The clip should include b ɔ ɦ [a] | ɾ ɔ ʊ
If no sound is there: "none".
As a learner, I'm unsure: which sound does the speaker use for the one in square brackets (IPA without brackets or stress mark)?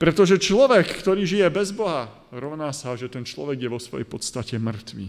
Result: a